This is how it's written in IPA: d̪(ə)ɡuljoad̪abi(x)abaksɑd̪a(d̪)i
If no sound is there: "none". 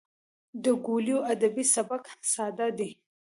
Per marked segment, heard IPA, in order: ə, s, d̪

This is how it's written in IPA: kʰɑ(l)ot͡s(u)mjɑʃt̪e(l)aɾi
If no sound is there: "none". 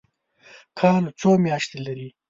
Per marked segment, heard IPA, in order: l, o, l

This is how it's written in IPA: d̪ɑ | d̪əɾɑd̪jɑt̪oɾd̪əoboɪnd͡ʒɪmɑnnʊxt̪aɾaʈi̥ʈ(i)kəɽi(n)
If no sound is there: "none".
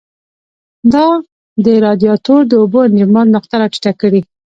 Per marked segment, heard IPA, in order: a, none

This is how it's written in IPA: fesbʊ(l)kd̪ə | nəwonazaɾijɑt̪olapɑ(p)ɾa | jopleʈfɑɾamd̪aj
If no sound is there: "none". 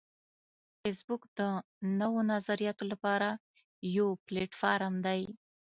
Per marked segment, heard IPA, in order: none, none

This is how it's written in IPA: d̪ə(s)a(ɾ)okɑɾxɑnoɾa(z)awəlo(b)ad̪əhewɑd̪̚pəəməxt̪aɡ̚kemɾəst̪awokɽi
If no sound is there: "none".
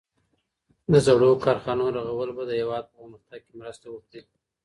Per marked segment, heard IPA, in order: z, ɽ, ɣ, b

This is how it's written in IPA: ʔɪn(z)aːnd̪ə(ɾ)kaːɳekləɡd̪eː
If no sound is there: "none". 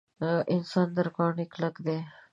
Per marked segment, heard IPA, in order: s, ɾ

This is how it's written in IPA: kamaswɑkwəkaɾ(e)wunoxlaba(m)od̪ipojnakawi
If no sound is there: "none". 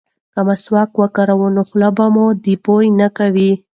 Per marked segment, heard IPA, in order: a, m

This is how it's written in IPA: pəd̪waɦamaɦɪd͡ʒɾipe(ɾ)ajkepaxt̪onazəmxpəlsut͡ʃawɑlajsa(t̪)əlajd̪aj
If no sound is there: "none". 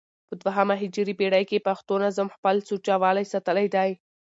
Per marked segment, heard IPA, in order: ɽ, t̪

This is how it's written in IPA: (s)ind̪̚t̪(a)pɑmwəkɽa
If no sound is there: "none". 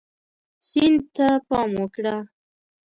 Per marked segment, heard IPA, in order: s, a

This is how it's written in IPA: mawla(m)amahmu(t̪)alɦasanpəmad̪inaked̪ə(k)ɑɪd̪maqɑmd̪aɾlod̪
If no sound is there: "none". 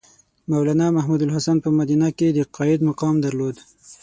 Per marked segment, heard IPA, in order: n, d̪, q

